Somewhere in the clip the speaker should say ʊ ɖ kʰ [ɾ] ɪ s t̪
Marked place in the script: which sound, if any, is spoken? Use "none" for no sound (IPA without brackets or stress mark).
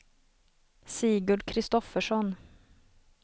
ɾ